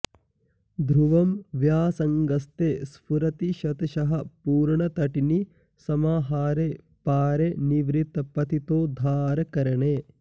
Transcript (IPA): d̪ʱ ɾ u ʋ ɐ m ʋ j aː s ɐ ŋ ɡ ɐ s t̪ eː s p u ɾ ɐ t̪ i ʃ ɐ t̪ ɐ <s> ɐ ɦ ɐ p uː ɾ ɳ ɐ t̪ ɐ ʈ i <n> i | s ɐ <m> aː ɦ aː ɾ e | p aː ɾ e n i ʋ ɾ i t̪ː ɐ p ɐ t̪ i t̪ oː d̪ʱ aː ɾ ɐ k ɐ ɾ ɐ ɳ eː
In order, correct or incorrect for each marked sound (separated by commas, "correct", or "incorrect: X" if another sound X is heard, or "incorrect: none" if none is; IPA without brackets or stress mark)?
incorrect: ʃ, correct, correct